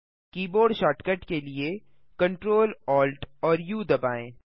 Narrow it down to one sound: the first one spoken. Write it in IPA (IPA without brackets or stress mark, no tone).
k